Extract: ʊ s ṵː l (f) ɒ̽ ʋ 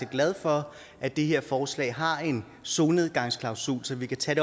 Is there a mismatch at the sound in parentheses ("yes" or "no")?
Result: yes